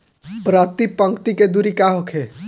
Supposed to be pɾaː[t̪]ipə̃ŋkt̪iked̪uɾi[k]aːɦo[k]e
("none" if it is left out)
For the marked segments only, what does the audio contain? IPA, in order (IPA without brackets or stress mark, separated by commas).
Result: t̪, k, kʰ